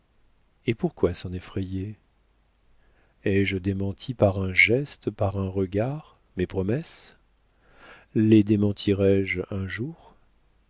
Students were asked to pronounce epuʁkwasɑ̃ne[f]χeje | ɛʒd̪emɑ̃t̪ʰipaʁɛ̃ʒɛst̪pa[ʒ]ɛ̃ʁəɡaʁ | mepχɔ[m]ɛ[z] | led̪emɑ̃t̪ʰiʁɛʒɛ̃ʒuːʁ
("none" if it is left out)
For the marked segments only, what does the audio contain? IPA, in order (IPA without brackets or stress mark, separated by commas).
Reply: f, ʁ, m, s